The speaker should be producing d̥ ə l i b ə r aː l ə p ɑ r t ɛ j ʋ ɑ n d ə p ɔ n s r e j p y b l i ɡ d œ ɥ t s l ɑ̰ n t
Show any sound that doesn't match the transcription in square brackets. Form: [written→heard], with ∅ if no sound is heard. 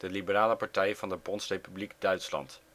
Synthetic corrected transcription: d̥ ə l i b ə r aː l ə p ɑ [r→ɹ] t ɛ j [ʋ→v] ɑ n d ə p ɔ n s r e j p y b l i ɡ d œ ɥ t s l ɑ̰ n t